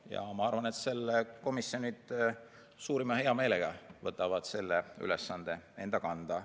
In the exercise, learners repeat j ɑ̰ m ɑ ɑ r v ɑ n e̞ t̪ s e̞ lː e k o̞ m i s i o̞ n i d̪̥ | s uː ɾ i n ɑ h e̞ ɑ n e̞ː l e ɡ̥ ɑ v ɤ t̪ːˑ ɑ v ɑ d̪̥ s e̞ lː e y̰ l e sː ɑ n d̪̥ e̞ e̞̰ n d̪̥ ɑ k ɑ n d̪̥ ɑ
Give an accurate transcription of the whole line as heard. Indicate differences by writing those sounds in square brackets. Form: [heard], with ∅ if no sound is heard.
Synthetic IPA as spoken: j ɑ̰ m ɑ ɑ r v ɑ n e̞ t̪ s e̞ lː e k o̞ m i s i o̞ n i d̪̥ | s uː ɾ i [m] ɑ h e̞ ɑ [m] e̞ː l e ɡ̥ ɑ v ɤ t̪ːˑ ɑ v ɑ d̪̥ s e̞ lː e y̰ l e sː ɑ n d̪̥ e̞ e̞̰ n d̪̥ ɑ k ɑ n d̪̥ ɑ